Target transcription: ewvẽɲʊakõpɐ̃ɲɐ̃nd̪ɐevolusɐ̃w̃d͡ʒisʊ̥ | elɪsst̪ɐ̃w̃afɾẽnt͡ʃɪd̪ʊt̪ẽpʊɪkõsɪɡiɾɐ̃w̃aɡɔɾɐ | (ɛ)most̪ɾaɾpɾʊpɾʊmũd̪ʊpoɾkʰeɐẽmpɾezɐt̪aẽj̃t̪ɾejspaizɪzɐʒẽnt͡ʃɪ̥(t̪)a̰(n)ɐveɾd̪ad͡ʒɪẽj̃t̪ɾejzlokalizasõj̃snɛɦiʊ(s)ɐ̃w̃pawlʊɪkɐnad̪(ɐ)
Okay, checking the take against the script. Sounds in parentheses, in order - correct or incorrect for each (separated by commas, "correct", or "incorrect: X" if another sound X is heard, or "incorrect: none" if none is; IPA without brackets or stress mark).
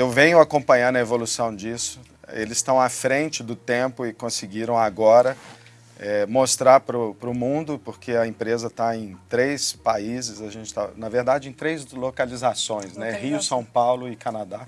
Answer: correct, correct, correct, correct, incorrect: a